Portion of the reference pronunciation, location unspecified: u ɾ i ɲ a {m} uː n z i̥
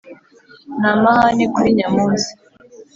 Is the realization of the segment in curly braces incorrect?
no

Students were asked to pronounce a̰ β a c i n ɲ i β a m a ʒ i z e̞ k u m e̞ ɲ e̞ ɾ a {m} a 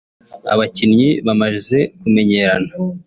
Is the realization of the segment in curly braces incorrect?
yes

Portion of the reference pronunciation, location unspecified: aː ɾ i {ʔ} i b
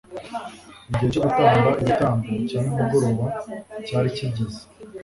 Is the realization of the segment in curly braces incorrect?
yes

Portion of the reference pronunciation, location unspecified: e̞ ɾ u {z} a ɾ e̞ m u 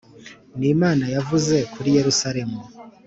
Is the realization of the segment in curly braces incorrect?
yes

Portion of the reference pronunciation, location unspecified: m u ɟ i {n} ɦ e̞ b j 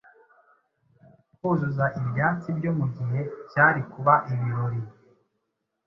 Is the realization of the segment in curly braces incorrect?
yes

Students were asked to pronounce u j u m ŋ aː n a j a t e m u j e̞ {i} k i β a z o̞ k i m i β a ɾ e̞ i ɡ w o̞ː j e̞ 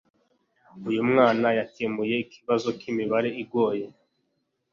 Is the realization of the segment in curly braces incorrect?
no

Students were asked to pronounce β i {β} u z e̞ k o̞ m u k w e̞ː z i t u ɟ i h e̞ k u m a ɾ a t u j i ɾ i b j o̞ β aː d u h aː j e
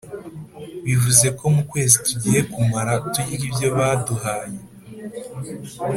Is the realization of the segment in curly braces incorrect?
yes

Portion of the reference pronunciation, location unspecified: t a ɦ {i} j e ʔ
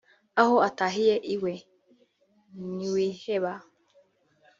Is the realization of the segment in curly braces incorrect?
no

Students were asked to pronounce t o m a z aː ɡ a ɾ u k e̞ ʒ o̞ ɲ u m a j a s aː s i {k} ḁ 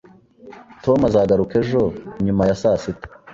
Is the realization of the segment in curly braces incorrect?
yes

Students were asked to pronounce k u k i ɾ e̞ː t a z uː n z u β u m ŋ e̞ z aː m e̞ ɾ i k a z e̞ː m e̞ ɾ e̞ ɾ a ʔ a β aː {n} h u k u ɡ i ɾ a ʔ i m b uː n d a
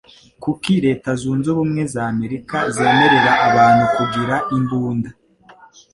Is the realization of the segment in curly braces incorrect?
no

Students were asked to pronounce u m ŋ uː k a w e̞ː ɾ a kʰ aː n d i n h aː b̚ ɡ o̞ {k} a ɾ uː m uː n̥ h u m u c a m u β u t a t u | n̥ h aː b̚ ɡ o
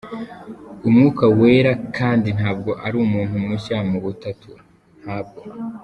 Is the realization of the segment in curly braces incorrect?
yes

